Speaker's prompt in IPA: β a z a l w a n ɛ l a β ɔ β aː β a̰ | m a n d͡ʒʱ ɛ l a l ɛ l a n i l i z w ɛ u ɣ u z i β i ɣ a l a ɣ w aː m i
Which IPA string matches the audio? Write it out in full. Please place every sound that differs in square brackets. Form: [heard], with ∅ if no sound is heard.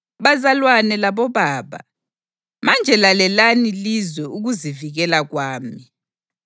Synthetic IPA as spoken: β a z a l w a n ɛ l a β ɔ β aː β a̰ | m a n d͡ʒʱ ɛ l a l ɛ l a n i l i z w ɛ u ɣ u z i [v] i ɣ [ɛ] l a ɣ w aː m i